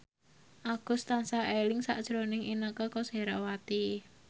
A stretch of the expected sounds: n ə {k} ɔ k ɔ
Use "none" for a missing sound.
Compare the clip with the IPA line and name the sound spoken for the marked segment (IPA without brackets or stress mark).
k